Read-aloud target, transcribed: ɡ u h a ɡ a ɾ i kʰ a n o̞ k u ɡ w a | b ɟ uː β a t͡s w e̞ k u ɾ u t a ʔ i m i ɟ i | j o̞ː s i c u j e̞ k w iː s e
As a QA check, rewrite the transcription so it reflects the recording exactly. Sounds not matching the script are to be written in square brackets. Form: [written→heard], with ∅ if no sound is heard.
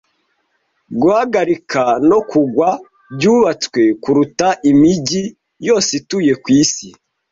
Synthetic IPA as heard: ɡ u h a ɡ a ɾ i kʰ a n o̞ k u ɡ w a | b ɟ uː β a t͡s w e̞ k u ɾ u t a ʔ i m i ɟ i | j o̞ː s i [c→t] u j e̞ k w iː s [e→i]